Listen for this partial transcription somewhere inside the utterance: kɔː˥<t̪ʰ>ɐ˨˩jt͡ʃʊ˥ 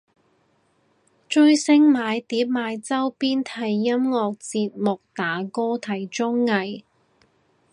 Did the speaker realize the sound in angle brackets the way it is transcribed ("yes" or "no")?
yes